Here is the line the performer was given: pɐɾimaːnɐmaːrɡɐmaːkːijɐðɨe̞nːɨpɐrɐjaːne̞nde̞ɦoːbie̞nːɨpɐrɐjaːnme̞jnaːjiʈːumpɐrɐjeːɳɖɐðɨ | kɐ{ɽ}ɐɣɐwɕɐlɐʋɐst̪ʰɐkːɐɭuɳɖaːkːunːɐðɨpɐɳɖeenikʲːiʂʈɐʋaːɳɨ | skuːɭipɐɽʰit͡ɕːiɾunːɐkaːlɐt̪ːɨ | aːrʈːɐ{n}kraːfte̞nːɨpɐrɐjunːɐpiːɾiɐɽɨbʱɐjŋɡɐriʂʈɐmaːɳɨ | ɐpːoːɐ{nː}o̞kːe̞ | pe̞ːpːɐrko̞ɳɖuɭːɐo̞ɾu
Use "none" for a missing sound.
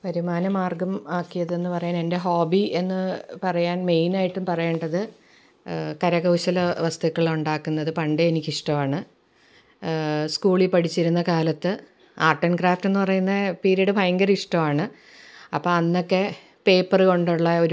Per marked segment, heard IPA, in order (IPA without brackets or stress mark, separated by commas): ɾ, n, nː